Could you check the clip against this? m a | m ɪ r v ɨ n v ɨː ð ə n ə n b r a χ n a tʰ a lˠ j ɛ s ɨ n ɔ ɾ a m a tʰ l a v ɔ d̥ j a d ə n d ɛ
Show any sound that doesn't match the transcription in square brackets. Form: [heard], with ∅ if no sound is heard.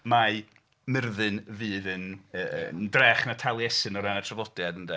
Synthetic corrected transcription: m a | m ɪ r [ð] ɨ n v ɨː ð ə n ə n [d] r [ɛ] χ n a tʰ a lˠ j ɛ s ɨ n ɔ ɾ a [n] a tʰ [r] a v ɔ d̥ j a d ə n d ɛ